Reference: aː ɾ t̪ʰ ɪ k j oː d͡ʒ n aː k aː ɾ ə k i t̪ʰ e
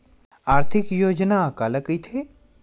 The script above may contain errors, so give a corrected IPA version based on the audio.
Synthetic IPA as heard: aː ɾ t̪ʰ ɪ k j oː d͡ʒ n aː k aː l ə k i t̪ʰ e